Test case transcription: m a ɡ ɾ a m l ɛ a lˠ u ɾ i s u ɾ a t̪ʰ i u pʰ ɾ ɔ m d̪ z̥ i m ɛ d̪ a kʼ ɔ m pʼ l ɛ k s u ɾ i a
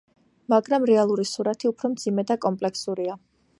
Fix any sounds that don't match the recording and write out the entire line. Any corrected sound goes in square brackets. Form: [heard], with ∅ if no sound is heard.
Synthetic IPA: m a ɡ ɾ a m [ɾ] ɛ a lˠ u ɾ i s u ɾ a t̪ʰ i u pʰ ɾ ɔ m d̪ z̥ i m ɛ d̪ a kʼ ɔ m pʼ l ɛ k s u ɾ i a